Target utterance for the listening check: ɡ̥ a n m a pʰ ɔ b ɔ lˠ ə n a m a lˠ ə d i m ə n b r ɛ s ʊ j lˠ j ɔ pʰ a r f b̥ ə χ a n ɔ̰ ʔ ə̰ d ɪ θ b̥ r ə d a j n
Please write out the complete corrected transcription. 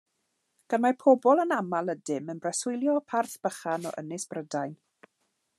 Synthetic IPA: ɡ̥ a n m a pʰ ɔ b ɔ lˠ ə n a m a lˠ ə d ɪ m ə n b r ɛ s ʊ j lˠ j ɔ pʰ a r θ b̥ ə χ a n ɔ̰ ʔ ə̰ n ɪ s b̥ r ə d a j n